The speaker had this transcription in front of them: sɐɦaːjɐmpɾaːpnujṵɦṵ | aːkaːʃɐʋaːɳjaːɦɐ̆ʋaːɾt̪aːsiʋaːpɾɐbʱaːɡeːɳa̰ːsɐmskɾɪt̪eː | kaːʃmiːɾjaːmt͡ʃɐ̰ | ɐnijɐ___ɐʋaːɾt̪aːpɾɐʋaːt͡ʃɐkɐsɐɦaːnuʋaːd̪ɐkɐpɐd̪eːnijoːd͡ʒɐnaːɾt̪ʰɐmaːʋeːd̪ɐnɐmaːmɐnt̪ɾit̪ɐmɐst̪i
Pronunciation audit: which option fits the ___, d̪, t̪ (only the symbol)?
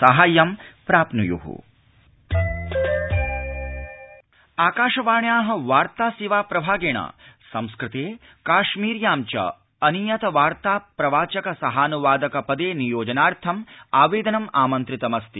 t̪